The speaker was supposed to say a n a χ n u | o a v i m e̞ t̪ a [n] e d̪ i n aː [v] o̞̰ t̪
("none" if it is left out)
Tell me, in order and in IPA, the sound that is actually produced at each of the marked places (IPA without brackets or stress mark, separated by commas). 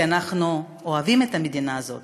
m, z